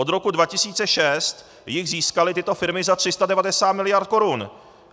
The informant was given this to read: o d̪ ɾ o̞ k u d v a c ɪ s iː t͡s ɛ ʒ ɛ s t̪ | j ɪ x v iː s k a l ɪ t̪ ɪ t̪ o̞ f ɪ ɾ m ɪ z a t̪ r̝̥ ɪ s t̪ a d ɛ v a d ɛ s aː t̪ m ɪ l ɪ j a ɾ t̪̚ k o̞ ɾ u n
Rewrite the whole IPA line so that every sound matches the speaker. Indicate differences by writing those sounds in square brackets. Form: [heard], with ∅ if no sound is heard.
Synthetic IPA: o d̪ ɾ o̞ k u d v a c ɪ s iː t͡s ɛ [ʃ] ɛ s t̪ | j ɪ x [z] iː s k a l ɪ t̪ ɪ t̪ o̞ f ɪ ɾ m ɪ z a t̪ r̝̥ ɪ s t̪ a d ɛ v a d ɛ s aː t̪ m ɪ l ɪ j a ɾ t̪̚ k o̞ ɾ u n